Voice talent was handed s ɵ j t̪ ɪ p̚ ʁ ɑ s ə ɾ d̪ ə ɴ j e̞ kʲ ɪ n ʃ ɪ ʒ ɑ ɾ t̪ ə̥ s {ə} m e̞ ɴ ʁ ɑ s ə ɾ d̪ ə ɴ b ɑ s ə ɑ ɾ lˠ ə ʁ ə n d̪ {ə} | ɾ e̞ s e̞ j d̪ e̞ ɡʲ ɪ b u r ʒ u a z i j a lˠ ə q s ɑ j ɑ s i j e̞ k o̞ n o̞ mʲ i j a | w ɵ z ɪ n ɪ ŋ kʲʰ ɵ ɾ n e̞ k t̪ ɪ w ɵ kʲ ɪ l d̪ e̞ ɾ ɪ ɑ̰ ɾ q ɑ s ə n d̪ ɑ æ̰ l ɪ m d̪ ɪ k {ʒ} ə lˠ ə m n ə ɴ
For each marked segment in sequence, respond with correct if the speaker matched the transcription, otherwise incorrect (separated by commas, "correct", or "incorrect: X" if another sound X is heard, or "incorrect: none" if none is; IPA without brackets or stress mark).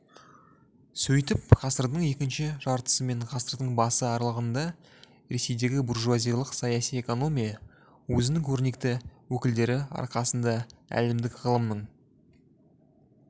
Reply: correct, incorrect: ɑ, incorrect: ʁ